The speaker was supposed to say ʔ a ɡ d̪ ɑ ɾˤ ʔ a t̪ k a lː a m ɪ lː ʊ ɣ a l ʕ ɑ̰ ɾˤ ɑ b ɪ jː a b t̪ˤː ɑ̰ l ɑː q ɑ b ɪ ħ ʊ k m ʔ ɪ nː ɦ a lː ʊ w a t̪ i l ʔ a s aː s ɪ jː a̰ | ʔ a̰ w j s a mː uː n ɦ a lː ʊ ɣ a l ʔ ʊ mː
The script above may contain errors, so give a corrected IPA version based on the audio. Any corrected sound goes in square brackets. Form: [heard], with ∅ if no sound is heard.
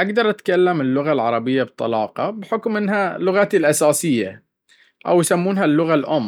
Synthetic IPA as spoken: ʔ a ɡ d̪ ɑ ɾˤ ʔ a t̪ k a lː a m ɪ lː ʊ ɣ a l ʕ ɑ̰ ɾˤ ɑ b ɪ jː a b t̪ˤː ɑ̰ l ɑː q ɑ b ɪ ħ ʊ k m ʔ ɪ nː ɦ a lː ʊ [ɣ] a t̪ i l ʔ a s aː s ɪ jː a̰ | ʔ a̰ w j s a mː uː n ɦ a lː ʊ ɣ a l ʔ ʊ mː